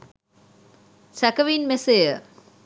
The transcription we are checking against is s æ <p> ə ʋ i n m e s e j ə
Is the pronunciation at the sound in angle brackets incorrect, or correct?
incorrect